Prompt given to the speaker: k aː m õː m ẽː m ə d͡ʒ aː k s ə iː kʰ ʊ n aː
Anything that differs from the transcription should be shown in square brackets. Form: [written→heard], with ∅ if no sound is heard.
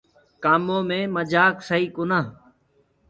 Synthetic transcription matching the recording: k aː m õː m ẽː m ə d͡ʒ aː k s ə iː [kʰ→k] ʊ n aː